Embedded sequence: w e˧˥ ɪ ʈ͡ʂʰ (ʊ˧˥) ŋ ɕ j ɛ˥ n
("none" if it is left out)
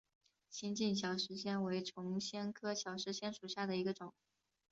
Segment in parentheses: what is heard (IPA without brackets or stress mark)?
ʊ˧˥